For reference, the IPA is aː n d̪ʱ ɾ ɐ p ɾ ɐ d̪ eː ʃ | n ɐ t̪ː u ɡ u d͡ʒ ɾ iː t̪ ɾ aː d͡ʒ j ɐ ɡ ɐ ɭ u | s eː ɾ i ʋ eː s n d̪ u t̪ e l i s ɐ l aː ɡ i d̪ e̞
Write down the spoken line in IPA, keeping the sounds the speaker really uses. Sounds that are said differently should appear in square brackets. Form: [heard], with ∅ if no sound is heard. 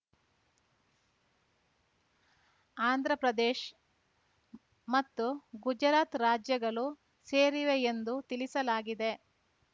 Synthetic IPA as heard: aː n d̪ʱ ɾ ɐ p ɾ ɐ d̪ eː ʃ | [m] ɐ t̪ː u ɡ u d͡ʒ ɾ [aː] t̪ ɾ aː d͡ʒ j ɐ ɡ ɐ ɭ u | s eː ɾ i ʋ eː [∅] n d̪ u t̪ [i] l i s ɐ l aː ɡ i d̪ e̞